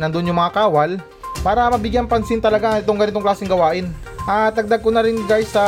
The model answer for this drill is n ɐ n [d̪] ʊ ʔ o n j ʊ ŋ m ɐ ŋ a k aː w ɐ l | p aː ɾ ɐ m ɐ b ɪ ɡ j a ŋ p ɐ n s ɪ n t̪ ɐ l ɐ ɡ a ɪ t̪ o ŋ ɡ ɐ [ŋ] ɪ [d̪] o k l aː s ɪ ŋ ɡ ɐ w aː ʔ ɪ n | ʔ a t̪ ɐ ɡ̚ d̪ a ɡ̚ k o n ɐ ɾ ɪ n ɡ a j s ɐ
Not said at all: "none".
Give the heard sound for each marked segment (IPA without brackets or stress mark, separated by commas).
d̪, n, t̪